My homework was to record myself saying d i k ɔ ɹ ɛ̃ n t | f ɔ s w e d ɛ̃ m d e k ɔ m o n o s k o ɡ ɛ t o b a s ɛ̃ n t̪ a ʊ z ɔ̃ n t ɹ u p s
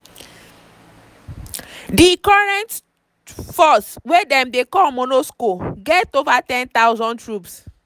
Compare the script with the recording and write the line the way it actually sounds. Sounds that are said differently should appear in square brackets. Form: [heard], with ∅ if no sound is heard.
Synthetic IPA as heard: d i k ɔ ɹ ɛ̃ n t | f ɔ s w e d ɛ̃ m d e k ɔ m o n o s k o ɡ ɛ t o [v] a [t] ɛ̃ n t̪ a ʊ z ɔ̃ n t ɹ u p s